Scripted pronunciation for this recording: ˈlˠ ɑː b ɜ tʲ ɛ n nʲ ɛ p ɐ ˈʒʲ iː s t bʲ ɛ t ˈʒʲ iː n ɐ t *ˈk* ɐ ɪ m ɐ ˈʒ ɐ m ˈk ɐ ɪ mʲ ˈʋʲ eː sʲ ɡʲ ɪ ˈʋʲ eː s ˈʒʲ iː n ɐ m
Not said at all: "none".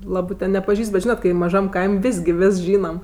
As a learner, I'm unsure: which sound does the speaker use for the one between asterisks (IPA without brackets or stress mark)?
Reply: k